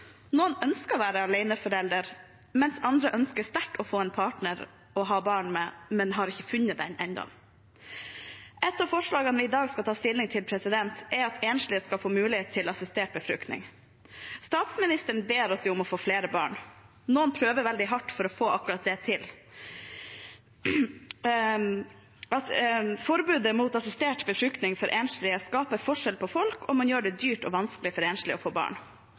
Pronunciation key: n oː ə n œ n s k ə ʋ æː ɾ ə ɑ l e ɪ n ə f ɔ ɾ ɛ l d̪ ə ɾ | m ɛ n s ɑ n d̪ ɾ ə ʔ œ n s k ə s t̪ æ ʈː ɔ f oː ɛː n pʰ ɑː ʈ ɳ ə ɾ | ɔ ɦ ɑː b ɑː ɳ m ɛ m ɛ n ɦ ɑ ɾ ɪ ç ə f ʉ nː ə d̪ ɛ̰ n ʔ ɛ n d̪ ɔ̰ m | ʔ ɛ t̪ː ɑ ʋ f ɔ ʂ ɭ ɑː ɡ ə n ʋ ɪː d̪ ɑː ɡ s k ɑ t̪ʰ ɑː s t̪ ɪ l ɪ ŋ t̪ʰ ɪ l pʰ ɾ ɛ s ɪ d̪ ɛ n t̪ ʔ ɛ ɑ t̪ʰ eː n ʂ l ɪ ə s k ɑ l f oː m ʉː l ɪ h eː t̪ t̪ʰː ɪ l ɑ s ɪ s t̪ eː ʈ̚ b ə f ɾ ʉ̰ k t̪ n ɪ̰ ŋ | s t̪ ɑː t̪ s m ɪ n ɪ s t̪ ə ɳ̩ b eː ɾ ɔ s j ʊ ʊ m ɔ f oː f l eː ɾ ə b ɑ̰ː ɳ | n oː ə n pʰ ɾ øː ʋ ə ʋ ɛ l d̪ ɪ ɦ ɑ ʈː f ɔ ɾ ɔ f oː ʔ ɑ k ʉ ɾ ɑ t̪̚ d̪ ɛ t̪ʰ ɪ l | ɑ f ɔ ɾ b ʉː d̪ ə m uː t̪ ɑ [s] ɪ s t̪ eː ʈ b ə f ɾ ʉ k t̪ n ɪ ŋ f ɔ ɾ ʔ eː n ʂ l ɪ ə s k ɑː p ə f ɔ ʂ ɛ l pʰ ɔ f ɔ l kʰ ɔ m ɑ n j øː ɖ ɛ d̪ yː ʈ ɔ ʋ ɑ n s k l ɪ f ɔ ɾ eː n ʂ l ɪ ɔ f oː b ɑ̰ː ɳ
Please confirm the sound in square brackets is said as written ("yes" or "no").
yes